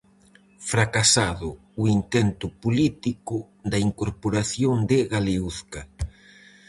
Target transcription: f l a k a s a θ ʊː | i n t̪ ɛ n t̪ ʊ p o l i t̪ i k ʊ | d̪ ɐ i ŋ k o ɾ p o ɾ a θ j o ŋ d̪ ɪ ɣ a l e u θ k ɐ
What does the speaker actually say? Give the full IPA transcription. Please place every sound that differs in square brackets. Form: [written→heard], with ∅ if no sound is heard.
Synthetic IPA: f [l→ɾ] a k a s a [θ→ð] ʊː | i n t̪ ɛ n t̪ ʊ p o l i t̪ i k ʊ | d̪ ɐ i ŋ k o ɾ p o ɾ a θ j o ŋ d̪ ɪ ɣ a l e u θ k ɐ